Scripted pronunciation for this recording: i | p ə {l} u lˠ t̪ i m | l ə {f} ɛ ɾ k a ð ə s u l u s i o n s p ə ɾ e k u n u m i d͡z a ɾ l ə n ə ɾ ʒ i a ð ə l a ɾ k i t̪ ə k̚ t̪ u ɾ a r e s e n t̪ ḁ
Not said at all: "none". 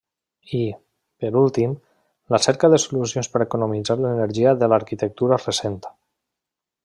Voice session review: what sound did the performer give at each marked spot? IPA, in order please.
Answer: ɾ, s

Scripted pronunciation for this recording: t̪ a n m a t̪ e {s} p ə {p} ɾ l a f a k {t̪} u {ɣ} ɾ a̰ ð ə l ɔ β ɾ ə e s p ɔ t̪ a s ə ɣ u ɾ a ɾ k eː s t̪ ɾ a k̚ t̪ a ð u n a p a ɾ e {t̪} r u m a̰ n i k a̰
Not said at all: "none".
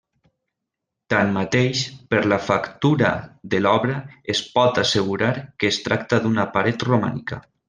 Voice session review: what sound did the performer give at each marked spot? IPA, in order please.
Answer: ʃ, none, t̪, none, t̪

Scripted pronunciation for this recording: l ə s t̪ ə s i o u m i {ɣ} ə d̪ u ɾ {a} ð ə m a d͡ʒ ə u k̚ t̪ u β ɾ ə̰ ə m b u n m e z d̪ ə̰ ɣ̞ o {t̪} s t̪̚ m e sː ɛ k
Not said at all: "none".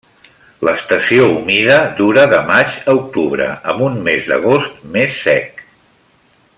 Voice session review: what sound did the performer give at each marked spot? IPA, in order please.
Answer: ð, ə, none

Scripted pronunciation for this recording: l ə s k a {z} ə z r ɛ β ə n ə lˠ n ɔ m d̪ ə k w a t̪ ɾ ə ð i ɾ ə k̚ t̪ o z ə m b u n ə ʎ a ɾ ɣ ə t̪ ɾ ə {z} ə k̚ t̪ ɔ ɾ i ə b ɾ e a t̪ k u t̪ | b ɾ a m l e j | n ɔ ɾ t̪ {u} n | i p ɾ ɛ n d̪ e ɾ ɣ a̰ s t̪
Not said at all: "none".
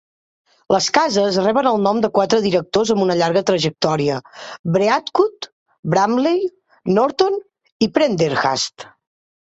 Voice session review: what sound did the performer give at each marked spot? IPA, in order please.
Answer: z, ʒ, o

